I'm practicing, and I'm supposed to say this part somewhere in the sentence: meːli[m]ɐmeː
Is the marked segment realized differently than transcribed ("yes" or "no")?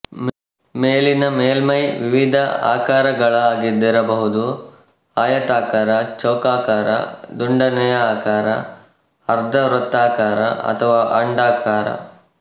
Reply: yes